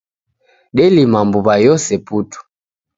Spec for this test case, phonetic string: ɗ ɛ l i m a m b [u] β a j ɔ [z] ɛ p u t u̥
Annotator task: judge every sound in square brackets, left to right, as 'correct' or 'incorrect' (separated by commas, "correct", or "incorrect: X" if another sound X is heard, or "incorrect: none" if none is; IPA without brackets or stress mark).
correct, incorrect: s